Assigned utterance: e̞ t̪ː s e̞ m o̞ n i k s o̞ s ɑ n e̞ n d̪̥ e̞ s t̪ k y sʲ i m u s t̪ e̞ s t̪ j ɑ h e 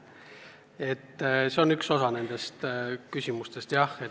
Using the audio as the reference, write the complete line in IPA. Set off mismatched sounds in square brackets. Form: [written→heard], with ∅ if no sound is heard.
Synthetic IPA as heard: e̞ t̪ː s e̞ [m→∅] o̞ n [i→y] k s o̞ s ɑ n e̞ n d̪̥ e̞ s t̪ k y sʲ i m u s t̪ e̞ s t̪ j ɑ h e